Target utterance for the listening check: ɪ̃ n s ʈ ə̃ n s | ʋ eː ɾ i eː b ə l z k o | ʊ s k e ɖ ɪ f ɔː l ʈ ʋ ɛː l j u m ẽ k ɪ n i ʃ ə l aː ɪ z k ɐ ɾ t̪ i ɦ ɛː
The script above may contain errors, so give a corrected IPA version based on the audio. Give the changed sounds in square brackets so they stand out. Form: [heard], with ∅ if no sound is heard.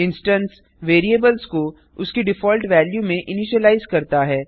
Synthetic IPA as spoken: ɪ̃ n s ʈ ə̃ n s | ʋ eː ɾ i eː b ə l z k o | ʊ s k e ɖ ɪ f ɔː l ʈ ʋ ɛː l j u m ẽ [ʔ] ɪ n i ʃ ə l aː ɪ z k ɐ ɾ t̪ [a] ɦ ɛː